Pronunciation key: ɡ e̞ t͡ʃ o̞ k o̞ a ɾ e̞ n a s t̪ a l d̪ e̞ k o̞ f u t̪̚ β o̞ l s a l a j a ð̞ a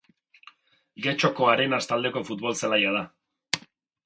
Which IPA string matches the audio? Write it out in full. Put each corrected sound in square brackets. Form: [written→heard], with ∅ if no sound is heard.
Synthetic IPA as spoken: ɡ e̞ t͡ʃ o̞ k o̞ a ɾ e̞ n a s t̪ a l d̪ e̞ k o̞ f u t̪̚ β o̞ l s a l a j a ð̞ a